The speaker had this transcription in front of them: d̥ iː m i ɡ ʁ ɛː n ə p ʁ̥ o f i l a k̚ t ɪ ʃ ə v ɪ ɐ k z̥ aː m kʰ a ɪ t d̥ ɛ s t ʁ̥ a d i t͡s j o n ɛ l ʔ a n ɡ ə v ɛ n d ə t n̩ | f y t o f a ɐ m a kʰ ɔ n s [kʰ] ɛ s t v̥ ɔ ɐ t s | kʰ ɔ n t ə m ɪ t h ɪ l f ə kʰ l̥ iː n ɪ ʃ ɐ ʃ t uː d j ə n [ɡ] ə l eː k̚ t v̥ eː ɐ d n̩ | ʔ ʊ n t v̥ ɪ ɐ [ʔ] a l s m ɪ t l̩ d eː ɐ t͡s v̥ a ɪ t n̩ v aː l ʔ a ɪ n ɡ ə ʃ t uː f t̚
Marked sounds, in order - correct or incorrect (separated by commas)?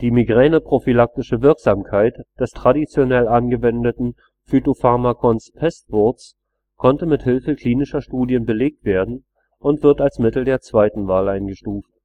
incorrect, incorrect, incorrect